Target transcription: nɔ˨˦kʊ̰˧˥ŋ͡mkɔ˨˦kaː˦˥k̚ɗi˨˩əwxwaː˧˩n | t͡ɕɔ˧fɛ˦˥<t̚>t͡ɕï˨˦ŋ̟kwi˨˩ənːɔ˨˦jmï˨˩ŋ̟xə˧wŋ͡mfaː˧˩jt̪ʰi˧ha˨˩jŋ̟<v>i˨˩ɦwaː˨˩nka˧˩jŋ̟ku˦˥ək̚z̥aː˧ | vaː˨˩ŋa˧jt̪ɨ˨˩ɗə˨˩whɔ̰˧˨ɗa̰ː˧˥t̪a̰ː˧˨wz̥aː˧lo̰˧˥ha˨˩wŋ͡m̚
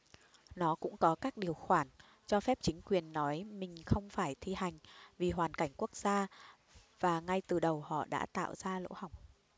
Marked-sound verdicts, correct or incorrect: incorrect: p̚, correct

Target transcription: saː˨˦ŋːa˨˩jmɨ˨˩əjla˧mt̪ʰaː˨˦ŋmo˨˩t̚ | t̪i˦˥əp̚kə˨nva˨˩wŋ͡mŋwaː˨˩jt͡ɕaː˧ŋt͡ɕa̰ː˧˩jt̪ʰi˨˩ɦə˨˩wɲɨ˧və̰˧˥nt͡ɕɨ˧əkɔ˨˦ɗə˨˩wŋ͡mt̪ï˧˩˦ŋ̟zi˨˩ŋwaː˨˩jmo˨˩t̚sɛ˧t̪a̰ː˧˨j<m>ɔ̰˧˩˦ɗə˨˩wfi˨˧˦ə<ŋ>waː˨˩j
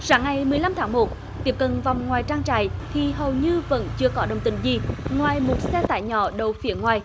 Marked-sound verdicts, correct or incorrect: incorrect: ɲ, correct

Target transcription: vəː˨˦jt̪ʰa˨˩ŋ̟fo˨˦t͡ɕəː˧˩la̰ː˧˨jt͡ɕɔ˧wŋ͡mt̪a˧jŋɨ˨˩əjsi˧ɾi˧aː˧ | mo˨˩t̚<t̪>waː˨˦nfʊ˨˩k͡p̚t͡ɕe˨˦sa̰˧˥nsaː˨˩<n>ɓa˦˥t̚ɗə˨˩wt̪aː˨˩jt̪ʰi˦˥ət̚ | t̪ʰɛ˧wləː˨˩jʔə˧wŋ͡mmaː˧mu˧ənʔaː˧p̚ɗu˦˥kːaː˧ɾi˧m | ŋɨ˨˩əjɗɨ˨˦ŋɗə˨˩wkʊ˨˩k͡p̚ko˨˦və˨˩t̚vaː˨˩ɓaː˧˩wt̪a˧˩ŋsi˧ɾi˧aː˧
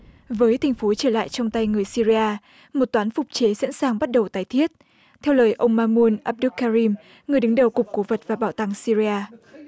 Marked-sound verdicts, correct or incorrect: correct, incorrect: ŋ

